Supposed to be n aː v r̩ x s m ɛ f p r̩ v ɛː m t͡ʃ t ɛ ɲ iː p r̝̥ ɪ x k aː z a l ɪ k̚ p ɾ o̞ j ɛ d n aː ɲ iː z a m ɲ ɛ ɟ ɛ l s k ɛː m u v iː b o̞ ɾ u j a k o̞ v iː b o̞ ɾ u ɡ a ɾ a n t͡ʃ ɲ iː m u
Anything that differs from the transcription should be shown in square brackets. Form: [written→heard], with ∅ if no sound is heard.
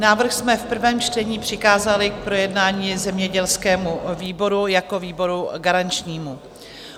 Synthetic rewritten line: n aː v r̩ x s m ɛ f p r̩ v ɛː m t͡ʃ t ɛ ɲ iː p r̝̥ ɪ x k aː z a l ɪ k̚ p ɾ o̞ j ɛ d n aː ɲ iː z [a→ɛ] m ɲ ɛ ɟ ɛ l s k ɛː m u v iː b o̞ ɾ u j a k o̞ v iː b o̞ ɾ u ɡ a ɾ a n t͡ʃ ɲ iː m u